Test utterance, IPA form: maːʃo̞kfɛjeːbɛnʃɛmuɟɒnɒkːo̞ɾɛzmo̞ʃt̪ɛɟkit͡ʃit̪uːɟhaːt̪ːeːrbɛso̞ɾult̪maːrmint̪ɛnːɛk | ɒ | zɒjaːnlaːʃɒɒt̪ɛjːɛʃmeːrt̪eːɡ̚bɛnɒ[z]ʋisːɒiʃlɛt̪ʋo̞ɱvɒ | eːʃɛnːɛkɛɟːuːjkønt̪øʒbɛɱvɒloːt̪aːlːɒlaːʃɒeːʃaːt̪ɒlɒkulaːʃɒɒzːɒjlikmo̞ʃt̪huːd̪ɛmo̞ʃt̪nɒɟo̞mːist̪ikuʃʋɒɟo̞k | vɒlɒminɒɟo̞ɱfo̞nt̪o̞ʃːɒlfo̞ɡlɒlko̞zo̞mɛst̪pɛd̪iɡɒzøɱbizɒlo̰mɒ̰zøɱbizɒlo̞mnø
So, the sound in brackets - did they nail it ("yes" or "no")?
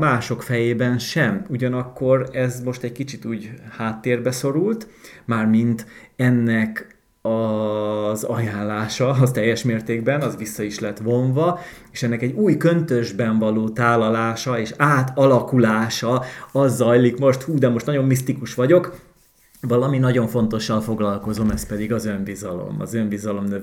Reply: yes